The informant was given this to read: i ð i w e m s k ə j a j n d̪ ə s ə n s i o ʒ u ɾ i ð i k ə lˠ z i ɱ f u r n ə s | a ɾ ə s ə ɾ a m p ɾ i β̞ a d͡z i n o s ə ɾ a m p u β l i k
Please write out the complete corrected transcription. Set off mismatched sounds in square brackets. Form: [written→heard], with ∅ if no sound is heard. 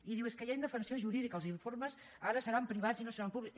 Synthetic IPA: i ð i w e [m→∅] s k ə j a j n d̪ ə [s→f] ə n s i o ʒ u ɾ i ð i k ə lˠ z i ɱ f [u→o] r [n→m] ə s | a ɾ ə s ə ɾ a m p ɾ i β̞ a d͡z i n o s ə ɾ a m p u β l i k